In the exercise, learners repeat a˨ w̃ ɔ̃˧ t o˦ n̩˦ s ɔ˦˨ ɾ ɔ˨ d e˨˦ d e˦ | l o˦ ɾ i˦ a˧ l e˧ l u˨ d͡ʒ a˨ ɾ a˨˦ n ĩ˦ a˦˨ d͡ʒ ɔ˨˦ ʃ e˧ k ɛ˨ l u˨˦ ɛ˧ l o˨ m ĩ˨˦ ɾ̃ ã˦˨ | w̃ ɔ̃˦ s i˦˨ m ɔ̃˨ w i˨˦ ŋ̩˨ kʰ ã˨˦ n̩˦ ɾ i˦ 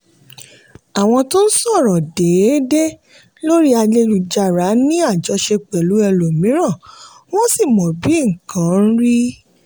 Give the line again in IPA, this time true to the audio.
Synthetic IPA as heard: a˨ w̃ ɔ̃˧ t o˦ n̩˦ s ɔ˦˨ ɾ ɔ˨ d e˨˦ d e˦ | l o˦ ɾ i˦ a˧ l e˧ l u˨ d͡ʒ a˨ ɾ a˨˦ n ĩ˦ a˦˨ d͡ʒ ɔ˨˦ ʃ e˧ k͡p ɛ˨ l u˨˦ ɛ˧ l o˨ m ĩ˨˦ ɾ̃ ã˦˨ | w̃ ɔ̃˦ s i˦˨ m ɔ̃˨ b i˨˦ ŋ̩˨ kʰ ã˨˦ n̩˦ ɾ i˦